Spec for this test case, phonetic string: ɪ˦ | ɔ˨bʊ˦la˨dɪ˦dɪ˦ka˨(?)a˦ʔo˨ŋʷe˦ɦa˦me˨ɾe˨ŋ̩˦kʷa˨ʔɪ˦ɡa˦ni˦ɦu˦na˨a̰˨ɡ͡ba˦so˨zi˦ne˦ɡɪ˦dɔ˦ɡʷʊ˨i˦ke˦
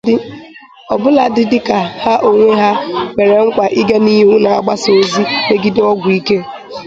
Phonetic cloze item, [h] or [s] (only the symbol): h